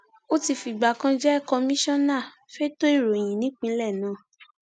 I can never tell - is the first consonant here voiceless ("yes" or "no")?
yes